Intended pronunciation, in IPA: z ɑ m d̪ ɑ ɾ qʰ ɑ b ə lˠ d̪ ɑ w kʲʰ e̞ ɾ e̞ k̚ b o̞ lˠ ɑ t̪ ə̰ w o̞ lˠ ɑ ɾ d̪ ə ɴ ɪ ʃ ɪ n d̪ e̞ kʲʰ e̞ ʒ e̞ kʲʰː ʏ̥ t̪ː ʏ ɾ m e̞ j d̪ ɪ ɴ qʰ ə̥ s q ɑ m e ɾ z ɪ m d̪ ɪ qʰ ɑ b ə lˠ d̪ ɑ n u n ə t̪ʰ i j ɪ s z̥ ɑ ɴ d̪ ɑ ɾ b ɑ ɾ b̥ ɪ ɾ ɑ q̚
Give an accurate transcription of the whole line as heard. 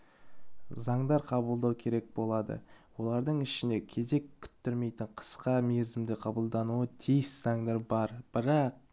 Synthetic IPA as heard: z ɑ ɴ d̪ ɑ ɾ qʰ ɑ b ə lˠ d̪ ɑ w kʲʰ e̞ ɾ e̞ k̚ b o̞ lˠ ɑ d̪ ə̰ w o̞ lˠ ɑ ɾ d̪ ə ɴ ɪ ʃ ɪ n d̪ e̞ kʲʰ e̞ z e̞ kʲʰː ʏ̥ t̪ː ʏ ɾ m e̞ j t̪ ɪ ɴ qʰ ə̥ s q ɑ m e ɾ z ɪ m d̪ ɪ qʰ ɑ b ə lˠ d̪ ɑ n u ə t̪ʰ i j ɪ s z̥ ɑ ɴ d̪ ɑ ɾ b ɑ ɾ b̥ ɪ ɾ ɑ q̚